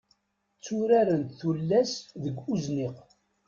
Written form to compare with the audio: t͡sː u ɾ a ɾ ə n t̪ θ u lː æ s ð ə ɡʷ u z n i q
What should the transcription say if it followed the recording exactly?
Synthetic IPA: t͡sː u ɾ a ɾ ə n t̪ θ u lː æ s ð ə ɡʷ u z n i q

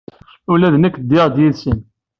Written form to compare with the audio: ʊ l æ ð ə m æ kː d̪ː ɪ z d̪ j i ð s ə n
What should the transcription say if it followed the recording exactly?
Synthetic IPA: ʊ l æ ð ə n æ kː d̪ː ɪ ʁ d̪ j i ð s ə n

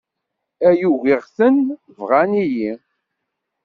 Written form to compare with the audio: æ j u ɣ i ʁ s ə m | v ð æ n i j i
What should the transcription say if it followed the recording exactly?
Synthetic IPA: æ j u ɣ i ʁ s ə n | v ʁ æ n i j i

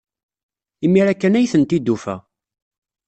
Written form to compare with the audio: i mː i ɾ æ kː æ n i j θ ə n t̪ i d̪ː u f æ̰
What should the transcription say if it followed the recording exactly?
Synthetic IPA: i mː i ɾ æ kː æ n æ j θ ə n t̪ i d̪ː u f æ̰

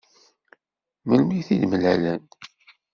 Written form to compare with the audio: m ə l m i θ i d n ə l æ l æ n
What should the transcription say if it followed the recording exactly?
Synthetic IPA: m ə l m i θ i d m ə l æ l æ n

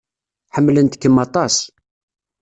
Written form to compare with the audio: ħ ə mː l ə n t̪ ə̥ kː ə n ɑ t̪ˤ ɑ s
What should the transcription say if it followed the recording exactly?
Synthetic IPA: ħ ə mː l ə n t̪ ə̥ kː ə m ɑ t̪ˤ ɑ s

